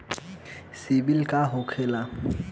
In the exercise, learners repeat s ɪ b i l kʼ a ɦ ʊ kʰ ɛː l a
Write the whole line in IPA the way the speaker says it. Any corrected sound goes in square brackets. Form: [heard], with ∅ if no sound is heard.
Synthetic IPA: s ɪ b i l kʼ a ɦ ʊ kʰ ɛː l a